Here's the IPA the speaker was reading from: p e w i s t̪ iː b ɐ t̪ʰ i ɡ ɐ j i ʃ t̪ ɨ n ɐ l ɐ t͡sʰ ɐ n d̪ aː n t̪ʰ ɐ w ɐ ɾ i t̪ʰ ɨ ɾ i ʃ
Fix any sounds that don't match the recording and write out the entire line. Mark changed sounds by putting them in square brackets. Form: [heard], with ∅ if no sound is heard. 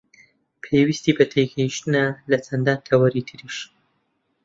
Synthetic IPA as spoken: [pʰ] e w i s t̪ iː b ɐ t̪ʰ [e] ɡ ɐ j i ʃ t̪ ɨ n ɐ l ɐ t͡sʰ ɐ n d̪ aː n t̪ʰ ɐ w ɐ ɾ i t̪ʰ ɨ ɾ i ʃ